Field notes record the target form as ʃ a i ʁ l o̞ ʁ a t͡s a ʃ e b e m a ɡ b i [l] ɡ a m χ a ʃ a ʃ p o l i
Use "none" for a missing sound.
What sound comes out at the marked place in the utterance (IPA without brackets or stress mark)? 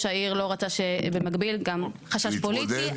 l